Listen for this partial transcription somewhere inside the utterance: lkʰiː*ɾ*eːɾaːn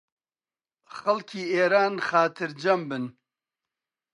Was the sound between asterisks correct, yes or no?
no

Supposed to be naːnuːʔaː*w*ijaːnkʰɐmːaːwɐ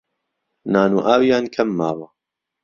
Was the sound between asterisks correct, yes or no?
yes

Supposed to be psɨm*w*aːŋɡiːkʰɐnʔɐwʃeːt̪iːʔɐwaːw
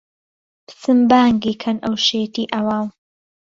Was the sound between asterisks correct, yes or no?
no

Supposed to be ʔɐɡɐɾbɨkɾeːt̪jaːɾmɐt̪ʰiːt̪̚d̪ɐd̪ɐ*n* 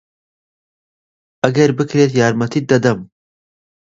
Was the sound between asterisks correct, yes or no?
no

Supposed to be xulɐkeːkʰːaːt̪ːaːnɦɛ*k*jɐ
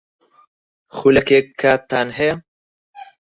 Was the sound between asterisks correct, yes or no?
no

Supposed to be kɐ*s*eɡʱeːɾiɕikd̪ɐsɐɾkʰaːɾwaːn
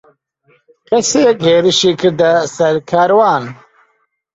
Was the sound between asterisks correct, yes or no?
yes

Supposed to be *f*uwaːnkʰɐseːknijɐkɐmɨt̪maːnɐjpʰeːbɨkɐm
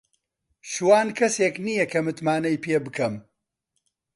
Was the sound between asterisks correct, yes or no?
no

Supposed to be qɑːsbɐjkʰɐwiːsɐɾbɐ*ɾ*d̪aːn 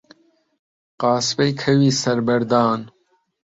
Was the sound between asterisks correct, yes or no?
yes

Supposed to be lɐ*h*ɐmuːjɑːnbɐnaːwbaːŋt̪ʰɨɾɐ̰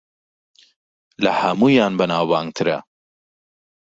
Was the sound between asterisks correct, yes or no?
yes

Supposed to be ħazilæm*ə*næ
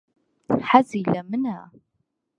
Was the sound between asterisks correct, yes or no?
yes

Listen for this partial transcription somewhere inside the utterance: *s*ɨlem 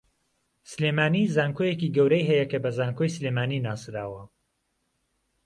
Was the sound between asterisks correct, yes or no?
yes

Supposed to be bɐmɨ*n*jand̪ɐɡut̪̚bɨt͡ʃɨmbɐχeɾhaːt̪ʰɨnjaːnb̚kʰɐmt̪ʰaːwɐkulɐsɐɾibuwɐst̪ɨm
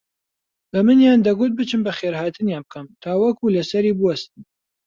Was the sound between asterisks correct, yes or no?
yes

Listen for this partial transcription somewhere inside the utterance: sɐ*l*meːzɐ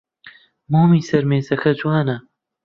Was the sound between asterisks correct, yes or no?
no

